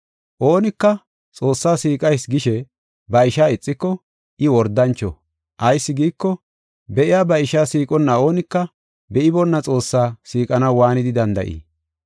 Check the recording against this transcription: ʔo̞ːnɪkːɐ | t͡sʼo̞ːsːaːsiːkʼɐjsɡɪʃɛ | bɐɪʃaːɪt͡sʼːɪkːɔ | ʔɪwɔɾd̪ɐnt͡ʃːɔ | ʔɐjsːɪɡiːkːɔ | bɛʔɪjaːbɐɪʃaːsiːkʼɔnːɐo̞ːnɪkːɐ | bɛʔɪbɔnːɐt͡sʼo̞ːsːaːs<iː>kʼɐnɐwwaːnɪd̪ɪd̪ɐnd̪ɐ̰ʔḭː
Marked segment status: correct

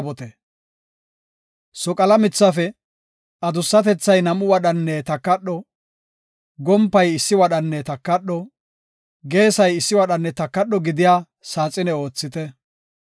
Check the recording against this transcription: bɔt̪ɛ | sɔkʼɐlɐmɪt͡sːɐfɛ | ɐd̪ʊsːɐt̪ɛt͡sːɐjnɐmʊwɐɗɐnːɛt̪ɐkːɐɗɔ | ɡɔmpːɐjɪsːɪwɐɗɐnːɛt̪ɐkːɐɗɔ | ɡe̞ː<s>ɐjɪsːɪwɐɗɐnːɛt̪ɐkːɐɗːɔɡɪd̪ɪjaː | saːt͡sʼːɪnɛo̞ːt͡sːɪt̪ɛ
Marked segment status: correct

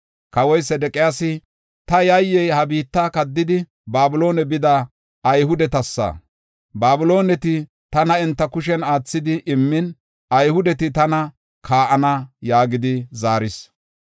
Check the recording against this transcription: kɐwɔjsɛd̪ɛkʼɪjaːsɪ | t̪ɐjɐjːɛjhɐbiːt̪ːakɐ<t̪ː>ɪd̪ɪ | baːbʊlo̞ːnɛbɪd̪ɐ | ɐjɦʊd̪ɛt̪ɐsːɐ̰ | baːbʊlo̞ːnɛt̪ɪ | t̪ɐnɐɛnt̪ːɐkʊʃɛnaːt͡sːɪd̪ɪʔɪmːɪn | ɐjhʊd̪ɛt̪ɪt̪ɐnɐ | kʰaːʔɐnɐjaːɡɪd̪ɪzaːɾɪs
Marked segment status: incorrect: d̪ː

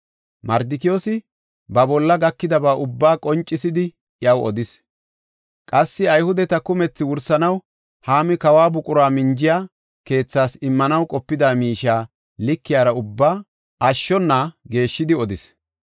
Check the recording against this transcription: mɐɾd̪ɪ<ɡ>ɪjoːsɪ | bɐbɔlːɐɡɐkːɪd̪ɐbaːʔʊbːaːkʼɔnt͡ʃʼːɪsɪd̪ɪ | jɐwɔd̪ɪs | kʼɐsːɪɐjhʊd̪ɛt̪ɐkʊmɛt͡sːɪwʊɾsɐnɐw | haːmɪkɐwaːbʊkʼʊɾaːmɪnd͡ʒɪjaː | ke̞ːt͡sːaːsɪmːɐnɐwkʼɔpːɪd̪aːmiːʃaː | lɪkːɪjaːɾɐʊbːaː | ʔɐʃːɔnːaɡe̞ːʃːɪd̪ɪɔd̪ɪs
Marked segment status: incorrect: k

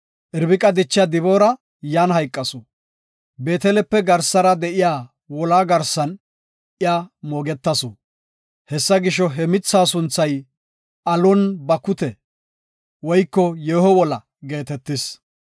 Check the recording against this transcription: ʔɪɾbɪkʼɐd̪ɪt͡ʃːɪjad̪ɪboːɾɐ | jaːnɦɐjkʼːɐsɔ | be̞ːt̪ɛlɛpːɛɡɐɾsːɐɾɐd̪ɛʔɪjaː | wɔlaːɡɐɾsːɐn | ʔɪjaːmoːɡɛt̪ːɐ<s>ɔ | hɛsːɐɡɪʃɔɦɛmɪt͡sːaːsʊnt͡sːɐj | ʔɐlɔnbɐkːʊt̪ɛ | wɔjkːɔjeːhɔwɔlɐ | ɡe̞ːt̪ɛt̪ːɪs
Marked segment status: correct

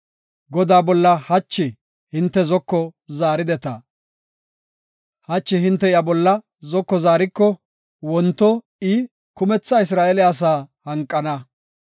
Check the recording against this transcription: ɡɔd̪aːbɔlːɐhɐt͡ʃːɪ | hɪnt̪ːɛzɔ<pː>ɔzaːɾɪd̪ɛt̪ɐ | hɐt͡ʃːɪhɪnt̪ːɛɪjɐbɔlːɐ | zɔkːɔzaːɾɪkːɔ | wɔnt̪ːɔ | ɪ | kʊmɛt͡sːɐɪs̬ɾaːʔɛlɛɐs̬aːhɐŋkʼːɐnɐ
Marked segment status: incorrect: kː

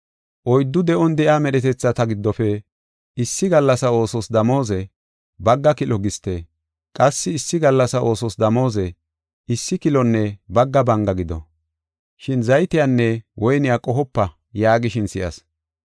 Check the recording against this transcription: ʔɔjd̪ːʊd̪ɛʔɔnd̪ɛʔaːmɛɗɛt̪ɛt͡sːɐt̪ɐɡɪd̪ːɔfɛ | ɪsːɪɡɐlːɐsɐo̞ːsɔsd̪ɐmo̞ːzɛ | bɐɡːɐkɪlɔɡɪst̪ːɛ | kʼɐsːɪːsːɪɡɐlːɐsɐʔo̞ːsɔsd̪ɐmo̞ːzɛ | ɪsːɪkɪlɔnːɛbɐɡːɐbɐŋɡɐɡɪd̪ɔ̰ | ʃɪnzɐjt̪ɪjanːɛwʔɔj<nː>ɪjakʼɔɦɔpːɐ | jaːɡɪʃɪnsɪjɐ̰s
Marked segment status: incorrect: n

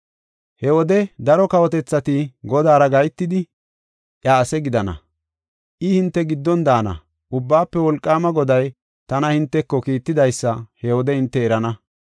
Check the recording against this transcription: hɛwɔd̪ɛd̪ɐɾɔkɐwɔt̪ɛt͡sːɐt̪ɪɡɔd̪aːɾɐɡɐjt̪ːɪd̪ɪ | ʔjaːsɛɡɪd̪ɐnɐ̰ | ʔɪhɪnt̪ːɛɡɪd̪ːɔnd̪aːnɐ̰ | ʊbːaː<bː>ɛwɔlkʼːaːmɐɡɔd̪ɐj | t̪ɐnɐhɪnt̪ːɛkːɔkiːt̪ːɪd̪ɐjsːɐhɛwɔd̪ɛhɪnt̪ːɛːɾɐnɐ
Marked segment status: incorrect: pː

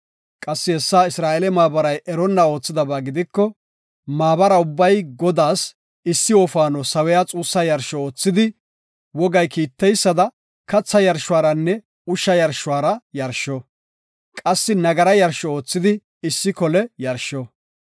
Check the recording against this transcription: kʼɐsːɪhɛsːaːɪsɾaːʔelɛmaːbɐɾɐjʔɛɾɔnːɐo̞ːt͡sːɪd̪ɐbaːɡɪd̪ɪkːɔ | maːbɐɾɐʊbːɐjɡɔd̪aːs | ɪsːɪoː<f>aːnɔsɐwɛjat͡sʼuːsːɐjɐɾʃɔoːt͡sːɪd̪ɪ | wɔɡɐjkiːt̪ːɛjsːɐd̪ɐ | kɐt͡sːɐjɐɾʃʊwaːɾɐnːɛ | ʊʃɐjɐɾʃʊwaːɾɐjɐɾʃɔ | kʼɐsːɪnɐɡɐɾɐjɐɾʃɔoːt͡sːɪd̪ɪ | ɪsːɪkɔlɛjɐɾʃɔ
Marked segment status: correct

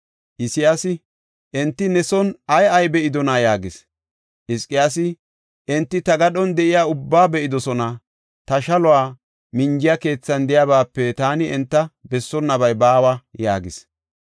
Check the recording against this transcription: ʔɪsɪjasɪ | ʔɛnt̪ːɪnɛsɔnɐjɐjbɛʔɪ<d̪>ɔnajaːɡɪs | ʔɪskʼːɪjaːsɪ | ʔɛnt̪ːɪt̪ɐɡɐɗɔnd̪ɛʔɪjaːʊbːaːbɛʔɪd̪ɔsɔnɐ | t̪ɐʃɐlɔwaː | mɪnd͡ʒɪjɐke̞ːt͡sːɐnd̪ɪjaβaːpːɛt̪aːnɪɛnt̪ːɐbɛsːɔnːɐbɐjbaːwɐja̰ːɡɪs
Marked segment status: correct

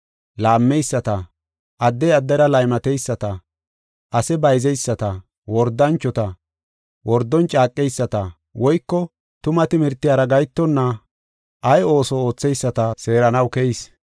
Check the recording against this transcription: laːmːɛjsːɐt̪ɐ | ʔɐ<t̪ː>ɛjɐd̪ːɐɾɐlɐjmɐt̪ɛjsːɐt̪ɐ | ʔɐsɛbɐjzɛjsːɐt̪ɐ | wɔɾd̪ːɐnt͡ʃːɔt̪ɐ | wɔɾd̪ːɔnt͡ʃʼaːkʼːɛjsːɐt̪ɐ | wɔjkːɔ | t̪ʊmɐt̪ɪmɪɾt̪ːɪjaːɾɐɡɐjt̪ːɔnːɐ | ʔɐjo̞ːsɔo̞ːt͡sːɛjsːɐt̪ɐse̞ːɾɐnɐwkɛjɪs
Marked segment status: incorrect: d̪ː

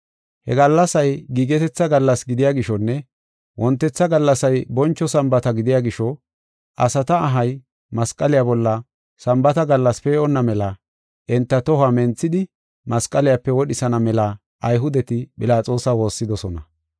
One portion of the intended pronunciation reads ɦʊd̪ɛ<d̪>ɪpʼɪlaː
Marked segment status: incorrect: t̪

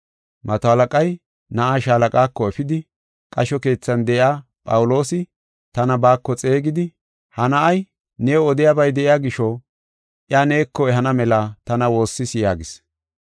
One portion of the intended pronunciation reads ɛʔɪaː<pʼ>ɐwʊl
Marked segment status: correct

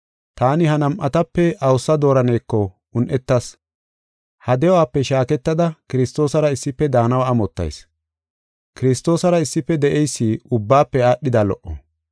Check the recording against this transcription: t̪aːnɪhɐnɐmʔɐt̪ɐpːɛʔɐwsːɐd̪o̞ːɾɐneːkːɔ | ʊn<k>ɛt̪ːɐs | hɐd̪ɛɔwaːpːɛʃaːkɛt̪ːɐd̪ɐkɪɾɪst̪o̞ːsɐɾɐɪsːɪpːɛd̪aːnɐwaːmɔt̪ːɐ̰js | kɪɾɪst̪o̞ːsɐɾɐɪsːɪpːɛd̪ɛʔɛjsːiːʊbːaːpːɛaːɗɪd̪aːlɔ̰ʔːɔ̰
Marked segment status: incorrect: ʔ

